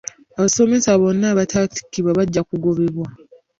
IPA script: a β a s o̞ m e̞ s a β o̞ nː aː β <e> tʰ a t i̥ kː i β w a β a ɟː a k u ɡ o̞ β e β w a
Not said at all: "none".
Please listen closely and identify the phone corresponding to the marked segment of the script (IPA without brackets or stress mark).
a